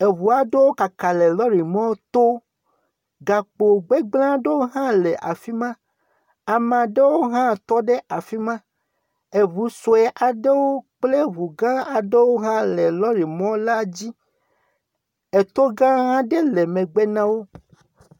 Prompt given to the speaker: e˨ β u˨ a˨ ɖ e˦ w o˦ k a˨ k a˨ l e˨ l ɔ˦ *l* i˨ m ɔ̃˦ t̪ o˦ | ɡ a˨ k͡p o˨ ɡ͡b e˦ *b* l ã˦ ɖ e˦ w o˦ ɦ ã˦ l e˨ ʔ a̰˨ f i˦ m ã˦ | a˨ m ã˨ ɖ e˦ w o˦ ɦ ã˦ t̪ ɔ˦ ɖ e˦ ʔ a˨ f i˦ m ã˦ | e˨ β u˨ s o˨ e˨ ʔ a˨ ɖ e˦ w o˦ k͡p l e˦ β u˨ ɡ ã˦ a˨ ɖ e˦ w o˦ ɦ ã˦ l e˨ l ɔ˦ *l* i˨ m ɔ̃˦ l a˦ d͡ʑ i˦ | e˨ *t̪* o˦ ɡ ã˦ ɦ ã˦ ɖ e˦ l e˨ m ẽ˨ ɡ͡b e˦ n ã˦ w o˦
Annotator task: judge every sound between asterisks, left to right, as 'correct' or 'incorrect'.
incorrect: ɾ, incorrect: ɡ͡b, incorrect: ɾ, correct

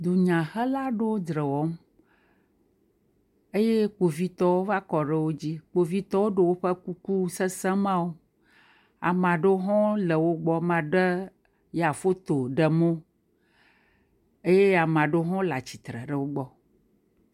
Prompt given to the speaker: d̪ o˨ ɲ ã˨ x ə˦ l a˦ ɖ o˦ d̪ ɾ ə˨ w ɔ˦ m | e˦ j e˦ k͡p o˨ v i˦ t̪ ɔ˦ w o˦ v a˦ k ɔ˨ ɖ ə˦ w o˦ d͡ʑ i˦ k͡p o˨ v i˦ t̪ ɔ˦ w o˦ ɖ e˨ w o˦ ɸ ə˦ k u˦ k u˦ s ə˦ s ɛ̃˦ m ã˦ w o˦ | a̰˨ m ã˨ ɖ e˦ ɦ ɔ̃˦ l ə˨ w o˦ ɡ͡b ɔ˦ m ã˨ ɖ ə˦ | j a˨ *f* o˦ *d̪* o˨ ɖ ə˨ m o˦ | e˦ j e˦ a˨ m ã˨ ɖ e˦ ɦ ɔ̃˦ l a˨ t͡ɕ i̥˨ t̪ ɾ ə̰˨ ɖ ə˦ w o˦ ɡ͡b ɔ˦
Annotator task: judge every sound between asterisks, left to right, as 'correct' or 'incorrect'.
correct, incorrect: t̪

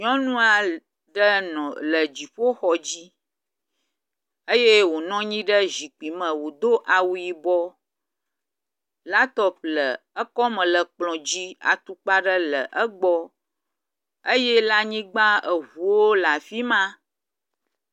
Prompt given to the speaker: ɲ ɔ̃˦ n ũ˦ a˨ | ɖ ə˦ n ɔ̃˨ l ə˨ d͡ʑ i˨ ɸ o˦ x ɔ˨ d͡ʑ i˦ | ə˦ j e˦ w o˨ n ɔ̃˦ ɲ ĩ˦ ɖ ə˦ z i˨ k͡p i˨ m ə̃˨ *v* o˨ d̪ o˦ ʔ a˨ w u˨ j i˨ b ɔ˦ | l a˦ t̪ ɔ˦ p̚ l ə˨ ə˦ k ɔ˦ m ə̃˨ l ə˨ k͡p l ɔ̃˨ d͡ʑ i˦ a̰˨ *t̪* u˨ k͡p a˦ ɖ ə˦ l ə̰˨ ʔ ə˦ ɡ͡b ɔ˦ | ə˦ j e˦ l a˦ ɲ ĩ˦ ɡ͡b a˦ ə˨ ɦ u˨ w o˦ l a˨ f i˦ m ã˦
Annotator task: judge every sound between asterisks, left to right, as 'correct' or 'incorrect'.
incorrect: w, correct

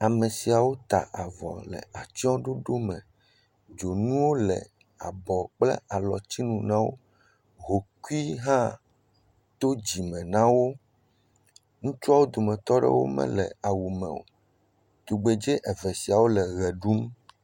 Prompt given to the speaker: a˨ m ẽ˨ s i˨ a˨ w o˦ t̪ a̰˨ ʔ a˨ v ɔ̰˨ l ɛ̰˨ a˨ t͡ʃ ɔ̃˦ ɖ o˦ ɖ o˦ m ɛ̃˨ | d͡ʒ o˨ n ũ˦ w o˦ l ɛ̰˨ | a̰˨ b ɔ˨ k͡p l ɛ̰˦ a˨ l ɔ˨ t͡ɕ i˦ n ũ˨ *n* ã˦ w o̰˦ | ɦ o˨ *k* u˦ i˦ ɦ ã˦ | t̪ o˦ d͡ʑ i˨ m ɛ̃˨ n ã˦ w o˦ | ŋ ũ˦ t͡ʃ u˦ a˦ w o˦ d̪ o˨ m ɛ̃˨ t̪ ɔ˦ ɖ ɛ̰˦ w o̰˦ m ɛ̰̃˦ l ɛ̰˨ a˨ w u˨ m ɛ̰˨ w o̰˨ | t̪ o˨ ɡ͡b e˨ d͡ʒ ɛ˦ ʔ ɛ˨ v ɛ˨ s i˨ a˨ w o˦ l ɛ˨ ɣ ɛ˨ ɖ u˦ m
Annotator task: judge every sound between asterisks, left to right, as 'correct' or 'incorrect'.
correct, correct

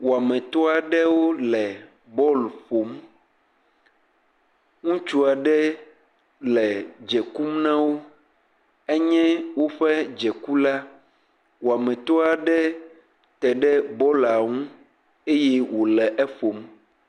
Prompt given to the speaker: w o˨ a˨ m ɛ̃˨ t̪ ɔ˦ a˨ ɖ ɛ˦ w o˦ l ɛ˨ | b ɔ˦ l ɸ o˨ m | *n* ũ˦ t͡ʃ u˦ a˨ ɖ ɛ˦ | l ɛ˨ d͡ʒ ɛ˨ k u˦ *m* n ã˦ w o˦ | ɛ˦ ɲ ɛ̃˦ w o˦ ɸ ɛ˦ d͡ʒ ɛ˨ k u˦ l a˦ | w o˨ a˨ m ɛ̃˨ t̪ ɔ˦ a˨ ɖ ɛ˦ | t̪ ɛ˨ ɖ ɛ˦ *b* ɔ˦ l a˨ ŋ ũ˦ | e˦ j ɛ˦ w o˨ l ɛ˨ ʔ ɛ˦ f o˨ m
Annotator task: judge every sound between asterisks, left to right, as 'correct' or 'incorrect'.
incorrect: ŋ, correct, correct

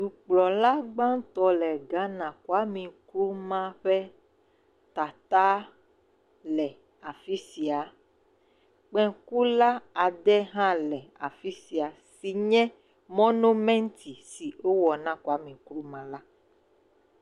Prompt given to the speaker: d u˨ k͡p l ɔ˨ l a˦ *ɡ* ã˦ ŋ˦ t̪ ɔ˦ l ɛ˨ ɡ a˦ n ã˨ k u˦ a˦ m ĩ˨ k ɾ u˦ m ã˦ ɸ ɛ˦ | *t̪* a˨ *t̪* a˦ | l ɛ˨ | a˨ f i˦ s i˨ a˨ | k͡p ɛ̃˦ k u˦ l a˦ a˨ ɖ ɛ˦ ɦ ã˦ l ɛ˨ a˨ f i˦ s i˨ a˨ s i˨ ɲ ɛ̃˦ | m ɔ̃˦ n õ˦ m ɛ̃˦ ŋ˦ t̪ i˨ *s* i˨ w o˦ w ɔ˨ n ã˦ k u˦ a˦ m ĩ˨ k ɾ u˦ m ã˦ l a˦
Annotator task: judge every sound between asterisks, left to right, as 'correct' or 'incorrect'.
incorrect: ɡ͡b, correct, correct, correct

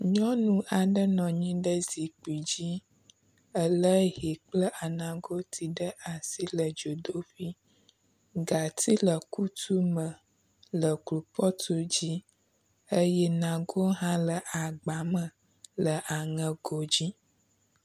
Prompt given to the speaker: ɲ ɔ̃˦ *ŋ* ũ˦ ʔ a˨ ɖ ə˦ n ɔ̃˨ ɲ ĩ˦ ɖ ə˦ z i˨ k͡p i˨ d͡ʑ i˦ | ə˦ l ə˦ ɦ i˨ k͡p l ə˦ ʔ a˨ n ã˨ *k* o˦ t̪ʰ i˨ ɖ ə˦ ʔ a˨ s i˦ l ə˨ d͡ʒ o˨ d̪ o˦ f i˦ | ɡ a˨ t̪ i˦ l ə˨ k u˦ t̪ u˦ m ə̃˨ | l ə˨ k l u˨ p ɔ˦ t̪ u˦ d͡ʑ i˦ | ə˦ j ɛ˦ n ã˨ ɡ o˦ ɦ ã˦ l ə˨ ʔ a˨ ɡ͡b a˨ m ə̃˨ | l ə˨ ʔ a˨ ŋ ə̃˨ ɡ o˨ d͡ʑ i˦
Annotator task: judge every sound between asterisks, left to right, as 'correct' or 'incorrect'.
incorrect: n, incorrect: ɡ

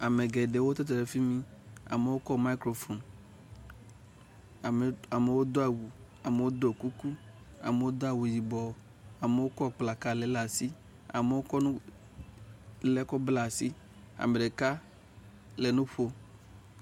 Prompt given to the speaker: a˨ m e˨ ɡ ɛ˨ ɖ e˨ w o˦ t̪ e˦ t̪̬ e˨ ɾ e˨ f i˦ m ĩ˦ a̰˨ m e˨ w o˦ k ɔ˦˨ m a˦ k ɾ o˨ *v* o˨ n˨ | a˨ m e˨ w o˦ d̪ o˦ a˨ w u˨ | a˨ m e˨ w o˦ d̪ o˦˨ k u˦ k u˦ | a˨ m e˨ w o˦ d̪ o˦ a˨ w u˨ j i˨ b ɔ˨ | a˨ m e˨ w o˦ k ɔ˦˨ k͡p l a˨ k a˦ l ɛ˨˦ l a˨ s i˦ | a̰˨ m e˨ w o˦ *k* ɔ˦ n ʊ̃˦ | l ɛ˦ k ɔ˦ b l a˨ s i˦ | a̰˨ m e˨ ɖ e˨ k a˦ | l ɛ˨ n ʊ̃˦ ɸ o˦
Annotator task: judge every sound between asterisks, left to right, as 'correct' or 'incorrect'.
incorrect: f, correct

